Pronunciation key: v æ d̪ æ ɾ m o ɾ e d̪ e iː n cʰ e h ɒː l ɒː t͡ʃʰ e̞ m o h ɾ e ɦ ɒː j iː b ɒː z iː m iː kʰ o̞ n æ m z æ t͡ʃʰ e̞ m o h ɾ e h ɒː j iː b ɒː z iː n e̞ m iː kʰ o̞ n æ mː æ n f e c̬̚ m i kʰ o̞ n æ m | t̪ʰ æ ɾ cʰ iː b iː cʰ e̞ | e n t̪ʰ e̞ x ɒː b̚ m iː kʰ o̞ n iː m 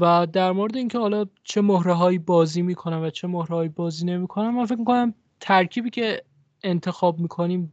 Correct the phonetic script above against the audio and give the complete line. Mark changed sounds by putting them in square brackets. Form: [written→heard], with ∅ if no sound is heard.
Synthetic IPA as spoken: v æ d̪ æ ɾ m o ɾ e d̪ e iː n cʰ e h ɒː l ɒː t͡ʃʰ e̞ m o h ɾ e ɦ ɒː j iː b ɒː z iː m iː kʰ o̞ n æ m [z→v] æ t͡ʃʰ e̞ m o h ɾ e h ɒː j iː b ɒː z iː n e̞ m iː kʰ o̞ n æ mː æ n f e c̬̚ m i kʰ o̞ n æ m | t̪ʰ æ ɾ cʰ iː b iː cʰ e̞ | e n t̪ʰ e̞ x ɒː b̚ m iː kʰ o̞ n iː m